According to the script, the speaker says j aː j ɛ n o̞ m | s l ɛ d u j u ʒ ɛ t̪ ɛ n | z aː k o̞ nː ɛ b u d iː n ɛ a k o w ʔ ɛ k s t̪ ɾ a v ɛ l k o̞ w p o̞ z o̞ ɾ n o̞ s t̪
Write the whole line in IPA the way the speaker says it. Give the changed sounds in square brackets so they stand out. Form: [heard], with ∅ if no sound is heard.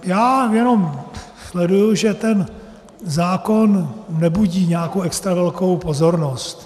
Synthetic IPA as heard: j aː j ɛ n o̞ m | s l ɛ d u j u ʒ ɛ t̪ ɛ n | z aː k o̞ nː ɛ b u [ɟ] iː [ɲ] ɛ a k o w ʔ ɛ k s t̪ ɾ a v ɛ l k o̞ w p o̞ z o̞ ɾ n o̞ s t̪